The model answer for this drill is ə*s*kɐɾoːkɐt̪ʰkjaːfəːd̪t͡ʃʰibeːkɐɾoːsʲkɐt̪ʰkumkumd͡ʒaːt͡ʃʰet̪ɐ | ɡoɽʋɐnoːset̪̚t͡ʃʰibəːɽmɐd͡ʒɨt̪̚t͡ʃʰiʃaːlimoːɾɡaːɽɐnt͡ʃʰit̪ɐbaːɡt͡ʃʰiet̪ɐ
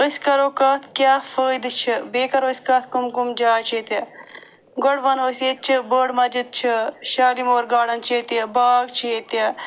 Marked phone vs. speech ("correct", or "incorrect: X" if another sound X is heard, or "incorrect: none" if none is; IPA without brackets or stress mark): correct